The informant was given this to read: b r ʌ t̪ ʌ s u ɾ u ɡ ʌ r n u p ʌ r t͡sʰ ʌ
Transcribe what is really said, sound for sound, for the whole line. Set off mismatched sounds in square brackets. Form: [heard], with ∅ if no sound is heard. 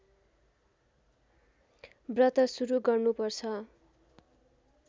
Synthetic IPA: b r ʌ t̪ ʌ s u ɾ u ɡ ʌ r n u p ʌ r t͡sʰ ʌ